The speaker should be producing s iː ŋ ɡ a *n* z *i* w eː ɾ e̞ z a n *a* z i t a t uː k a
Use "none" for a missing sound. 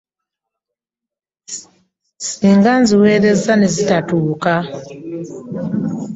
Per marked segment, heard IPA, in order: n, i, e

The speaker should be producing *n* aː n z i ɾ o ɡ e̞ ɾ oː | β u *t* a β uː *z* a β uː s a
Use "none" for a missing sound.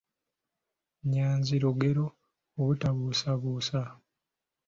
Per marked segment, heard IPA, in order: ɲ, t, s

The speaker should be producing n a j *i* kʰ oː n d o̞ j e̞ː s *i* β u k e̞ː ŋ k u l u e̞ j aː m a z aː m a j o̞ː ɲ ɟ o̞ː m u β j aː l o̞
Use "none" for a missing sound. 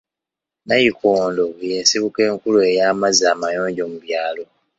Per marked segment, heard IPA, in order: i, i

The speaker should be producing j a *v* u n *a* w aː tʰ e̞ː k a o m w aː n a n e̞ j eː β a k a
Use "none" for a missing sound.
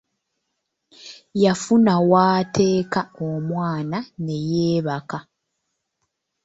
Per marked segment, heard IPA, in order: f, a

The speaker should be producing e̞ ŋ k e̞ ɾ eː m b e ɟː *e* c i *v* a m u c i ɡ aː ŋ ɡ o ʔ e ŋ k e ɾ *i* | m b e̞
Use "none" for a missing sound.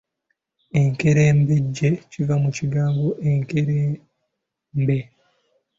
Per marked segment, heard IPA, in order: e, v, e

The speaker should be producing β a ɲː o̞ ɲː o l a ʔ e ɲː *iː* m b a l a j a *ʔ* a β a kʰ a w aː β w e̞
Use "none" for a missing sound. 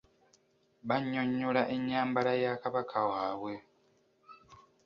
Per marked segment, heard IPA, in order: aː, k

